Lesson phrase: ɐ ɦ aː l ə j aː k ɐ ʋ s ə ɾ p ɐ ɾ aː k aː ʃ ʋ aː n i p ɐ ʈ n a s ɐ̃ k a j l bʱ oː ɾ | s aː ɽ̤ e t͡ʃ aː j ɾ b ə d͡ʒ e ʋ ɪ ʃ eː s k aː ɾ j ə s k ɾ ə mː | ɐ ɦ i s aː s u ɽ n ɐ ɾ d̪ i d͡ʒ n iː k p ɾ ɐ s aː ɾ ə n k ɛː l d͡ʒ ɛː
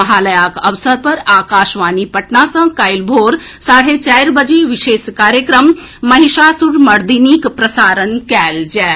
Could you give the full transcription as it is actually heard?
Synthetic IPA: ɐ ɦ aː l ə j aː k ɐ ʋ s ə ɾ p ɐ ɾ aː k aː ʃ ʋ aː n i p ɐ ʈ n a s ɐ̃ k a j l bʱ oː ɾ | s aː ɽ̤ e t͡ʃ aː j ɾ b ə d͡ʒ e ʋ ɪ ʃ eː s k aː ɾ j ə k ɾ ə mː | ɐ ɦ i ʃ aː s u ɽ m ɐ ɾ d̪ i n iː k p ɾ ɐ s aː ɾ ə n k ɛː l d͡ʒ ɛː